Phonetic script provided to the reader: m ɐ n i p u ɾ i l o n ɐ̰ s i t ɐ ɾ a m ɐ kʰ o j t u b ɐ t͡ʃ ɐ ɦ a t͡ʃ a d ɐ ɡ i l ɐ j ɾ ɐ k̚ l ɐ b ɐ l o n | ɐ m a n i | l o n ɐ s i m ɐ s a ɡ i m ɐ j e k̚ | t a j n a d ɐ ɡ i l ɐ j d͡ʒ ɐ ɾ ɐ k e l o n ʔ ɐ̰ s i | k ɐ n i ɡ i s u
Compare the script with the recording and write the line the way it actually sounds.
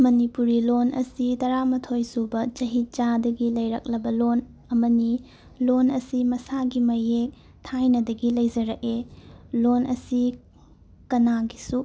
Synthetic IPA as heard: m ɐ n i p u ɾ i l o n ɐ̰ s i t ɐ ɾ a m ɐ tʰ o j s u b ɐ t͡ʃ ɐ ɦ i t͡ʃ a d ɐ ɡ i l ɐ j ɾ ɐ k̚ l ɐ b ɐ l o n | ɐ m ɐ n i | l o n ɐ s i m ɐ s a ɡ i m ɐ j e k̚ | tʰ a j n ɐ d ɐ ɡ i l ɐ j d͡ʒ ɐ ɾ ɐ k e l o n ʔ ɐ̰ s i | k ɐ n a ɡ i s u